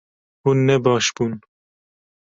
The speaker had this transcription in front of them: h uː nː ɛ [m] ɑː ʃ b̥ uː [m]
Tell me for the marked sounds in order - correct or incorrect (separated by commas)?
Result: incorrect, incorrect